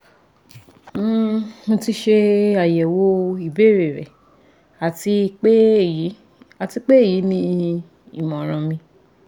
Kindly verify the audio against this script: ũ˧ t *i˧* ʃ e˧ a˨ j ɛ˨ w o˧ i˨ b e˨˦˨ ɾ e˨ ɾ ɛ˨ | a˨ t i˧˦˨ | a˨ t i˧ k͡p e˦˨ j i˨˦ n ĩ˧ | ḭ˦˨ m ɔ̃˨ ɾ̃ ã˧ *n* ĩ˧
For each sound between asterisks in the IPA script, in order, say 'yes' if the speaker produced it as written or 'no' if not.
yes, no

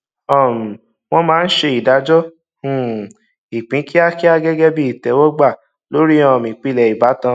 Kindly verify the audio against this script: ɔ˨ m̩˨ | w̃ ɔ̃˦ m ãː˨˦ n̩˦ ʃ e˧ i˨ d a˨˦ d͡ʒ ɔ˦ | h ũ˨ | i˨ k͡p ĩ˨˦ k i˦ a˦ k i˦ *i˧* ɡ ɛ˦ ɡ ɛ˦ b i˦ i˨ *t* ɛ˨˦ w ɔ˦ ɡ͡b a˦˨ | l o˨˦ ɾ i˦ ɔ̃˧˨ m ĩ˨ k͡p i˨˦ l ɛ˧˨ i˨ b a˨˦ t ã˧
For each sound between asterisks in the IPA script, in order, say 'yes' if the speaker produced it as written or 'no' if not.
no, yes

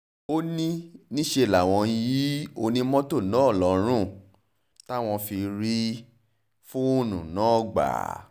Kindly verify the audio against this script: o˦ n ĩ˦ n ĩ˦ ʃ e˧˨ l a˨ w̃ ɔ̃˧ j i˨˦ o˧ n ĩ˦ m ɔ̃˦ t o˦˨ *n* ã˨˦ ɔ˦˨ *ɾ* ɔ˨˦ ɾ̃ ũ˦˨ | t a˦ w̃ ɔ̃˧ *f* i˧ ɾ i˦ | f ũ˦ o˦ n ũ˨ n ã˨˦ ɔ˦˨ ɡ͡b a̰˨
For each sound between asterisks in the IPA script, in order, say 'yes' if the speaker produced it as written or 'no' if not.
yes, no, yes

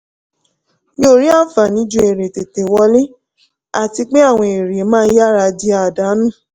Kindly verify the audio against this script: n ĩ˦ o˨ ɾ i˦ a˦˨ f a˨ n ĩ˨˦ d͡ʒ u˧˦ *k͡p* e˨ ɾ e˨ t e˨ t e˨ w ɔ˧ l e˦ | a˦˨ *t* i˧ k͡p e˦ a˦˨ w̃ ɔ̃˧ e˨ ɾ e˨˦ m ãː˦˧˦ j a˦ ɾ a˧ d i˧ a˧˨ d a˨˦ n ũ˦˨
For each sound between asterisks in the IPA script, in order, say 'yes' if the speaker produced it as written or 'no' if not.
no, yes

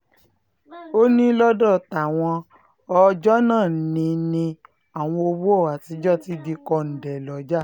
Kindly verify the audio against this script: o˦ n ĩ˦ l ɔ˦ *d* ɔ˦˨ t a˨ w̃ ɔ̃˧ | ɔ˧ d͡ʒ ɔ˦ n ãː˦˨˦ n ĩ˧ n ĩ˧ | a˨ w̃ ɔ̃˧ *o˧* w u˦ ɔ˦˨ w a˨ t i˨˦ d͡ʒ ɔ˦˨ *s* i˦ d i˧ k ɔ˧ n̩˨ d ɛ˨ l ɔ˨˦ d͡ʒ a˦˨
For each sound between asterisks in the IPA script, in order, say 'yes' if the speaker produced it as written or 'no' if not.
yes, yes, no

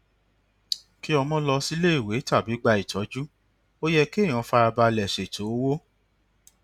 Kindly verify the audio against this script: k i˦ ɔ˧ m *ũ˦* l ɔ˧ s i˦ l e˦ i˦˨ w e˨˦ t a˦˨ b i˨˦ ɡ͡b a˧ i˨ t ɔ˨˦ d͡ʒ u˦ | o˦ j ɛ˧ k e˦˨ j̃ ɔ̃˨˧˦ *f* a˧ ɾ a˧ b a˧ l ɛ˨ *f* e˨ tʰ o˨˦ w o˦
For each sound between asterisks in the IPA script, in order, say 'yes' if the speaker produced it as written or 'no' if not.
no, yes, no

